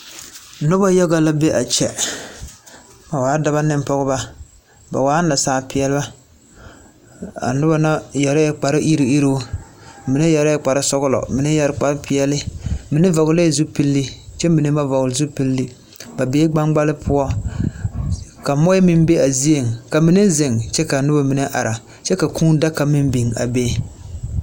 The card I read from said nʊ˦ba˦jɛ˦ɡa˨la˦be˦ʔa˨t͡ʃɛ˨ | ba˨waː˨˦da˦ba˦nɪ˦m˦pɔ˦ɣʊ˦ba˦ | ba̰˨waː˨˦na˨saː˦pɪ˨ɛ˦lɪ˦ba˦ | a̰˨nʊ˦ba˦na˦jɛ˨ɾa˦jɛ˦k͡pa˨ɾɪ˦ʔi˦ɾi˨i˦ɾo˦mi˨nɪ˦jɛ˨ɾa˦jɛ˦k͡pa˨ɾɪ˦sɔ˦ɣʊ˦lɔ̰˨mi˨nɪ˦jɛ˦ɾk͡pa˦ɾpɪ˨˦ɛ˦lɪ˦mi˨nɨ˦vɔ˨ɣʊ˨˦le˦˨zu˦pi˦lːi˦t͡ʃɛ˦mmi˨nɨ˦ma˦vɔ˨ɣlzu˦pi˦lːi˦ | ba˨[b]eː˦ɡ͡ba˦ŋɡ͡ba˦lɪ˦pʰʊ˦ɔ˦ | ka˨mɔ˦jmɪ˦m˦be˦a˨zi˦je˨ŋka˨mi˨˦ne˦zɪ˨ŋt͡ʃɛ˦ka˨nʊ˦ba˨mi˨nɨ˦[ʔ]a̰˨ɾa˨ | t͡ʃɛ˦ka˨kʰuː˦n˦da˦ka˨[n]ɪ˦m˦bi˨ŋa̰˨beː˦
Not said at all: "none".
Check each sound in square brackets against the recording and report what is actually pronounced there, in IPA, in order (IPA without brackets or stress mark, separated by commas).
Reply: b, ʔ, m